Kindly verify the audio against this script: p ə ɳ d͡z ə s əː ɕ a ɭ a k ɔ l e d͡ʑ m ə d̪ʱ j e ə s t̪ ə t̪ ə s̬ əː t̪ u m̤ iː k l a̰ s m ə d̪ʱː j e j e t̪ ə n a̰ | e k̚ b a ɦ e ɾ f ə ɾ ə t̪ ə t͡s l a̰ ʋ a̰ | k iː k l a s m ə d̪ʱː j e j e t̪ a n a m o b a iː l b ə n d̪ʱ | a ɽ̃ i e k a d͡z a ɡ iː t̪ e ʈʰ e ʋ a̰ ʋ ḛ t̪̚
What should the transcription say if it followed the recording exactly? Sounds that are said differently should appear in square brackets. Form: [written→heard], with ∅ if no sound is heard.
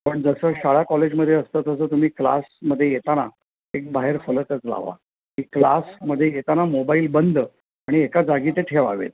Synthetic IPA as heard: p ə ɳ d͡z ə s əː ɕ a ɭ a k ɔ l e d͡ʑ m ə d̪ʱ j e ə s t̪ ə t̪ ə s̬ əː t̪ u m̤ iː k l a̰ s m ə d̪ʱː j e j e t̪ [ə→a] n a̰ | e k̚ b a ɦ e ɾ f ə [ɾ→l] ə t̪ ə t͡s l a̰ ʋ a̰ | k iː k l a s m ə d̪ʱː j e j e t̪ a n a m o b a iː l b ə n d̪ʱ | a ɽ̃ i e k a d͡z a ɡ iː t̪ e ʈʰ e ʋ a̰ ʋ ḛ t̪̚

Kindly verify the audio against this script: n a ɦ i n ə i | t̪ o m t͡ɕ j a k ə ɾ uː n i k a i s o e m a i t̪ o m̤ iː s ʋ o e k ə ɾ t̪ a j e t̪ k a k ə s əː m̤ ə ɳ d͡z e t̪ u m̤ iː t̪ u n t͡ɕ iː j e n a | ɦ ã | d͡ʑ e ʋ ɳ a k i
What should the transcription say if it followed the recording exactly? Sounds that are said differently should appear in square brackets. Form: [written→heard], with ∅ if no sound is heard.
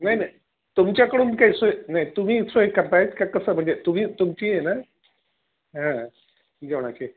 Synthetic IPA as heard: n a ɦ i n [ə→a] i | t̪ [o→u] m t͡ɕ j a k ə [ɾ→ɽ] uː n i k a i s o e [m→n] a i t̪ [o→u] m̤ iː s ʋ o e k ə ɾ t̪ a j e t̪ k a k ə s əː m̤ ə ɳ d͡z e t̪ u m̤ iː t̪ u [n→m] t͡ɕ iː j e n a | ɦ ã | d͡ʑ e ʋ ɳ a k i

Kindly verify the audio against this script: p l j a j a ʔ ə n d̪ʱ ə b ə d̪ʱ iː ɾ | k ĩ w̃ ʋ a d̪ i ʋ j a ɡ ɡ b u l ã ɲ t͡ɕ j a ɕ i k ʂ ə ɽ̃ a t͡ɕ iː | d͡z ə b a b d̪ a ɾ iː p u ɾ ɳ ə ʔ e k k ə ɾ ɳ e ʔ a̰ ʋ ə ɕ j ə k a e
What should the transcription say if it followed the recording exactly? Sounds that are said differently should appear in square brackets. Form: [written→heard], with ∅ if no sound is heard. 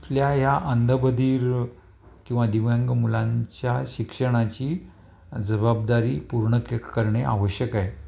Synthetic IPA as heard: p l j a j a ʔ ə n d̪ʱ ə b ə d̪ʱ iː ɾ | k ĩ w̃ ʋ a d̪ i ʋ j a [ɡ→ŋ] ɡ [b→m] u l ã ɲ t͡ɕ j a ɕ i k ʂ ə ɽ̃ a t͡ɕ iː | d͡z ə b a b d̪ a ɾ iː p u ɾ ɳ ə [ʔ→k] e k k ə ɾ ɳ e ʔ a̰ ʋ ə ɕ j ə k a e

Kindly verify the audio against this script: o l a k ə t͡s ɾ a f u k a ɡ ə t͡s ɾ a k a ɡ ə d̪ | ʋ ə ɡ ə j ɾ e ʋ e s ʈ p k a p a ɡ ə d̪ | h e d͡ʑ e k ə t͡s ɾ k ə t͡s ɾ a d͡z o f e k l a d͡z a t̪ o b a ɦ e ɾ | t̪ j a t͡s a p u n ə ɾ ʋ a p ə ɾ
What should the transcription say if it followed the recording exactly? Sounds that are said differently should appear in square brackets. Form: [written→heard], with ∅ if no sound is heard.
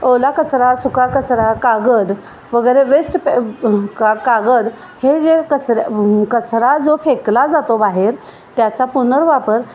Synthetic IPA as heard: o l a k ə t͡s ɾ a [f→s] u k a [ɡ→k] ə t͡s ɾ a k a ɡ ə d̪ | ʋ ə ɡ ə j ɾ e ʋ e s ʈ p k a [p→k] a ɡ ə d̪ | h e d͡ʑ e k ə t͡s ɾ k ə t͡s ɾ a d͡z o f e k l a d͡z a t̪ o b a ɦ e ɾ | t̪ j a t͡s a p u n ə ɾ ʋ a p ə ɾ

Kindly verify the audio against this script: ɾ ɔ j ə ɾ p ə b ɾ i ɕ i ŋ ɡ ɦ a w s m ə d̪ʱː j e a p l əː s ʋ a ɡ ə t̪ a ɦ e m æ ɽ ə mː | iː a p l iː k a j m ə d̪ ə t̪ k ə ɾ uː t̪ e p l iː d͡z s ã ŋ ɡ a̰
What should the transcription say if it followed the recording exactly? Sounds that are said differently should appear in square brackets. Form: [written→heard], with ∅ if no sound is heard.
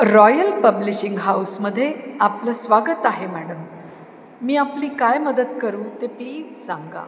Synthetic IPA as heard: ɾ ɔ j ə [ɾ→l] p ə b [ɾ→l] i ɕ i ŋ ɡ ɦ a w s m ə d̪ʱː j e a p l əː s ʋ a ɡ ə t̪ a ɦ e m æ ɽ ə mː | iː a p l iː k a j m ə d̪ ə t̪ k ə ɾ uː t̪ e p l iː d͡z s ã ŋ ɡ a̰

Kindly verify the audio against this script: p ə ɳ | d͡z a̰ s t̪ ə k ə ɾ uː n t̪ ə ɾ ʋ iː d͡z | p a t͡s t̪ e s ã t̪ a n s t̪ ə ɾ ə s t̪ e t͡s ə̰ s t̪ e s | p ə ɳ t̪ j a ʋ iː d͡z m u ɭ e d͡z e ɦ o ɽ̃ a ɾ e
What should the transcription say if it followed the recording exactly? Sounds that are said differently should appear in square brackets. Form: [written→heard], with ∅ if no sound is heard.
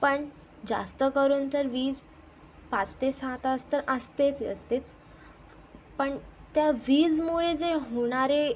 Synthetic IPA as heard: p ə ɳ | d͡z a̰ s t̪ ə k ə ɾ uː n t̪ ə ɾ ʋ iː d͡z | p a t͡s t̪ e s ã t̪ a [n→∅] s t̪ ə ɾ ə s t̪ e t͡s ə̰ s t̪ e [s→t͡s] | p ə ɳ t̪ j a ʋ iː d͡z m u ɭ e d͡z e ɦ o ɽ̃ a ɾ e

